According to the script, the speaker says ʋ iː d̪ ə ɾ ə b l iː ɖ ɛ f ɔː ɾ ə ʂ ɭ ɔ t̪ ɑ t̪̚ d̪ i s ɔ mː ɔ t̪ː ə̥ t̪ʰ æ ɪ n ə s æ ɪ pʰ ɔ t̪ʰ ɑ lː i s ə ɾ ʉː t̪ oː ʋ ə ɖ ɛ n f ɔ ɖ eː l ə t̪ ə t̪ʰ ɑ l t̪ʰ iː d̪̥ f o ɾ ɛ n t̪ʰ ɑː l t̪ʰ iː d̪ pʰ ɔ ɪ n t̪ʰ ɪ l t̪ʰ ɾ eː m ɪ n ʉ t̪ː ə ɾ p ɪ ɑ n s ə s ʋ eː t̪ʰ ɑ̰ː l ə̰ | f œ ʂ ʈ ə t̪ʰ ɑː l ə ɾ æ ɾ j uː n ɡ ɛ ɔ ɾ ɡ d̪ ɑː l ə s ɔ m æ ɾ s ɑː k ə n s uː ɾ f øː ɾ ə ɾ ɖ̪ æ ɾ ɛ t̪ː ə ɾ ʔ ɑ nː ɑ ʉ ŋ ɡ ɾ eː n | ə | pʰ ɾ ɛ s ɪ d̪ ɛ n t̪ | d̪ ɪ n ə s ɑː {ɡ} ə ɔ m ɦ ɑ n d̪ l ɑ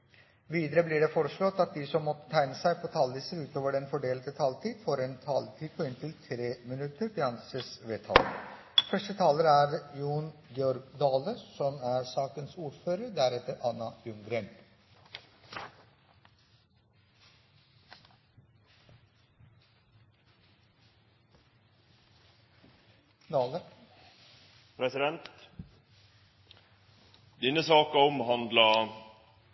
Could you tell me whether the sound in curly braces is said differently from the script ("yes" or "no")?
yes